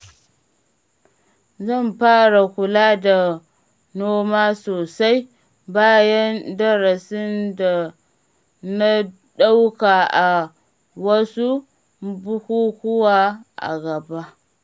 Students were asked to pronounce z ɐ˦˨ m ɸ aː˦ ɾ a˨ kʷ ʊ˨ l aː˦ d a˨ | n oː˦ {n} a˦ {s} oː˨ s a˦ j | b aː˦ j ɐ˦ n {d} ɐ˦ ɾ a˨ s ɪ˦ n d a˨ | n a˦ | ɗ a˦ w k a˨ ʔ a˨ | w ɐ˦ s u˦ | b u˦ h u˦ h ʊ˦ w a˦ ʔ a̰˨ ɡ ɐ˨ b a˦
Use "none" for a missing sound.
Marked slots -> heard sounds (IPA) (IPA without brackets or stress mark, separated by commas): m, s, d